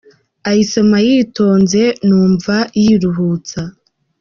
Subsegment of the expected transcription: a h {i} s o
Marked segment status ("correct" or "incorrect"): correct